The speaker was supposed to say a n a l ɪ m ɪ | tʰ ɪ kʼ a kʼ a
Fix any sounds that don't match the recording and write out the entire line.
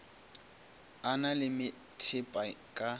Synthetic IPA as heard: a n a l ɪ m ɪ | tʰ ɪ pʼ a kʼ a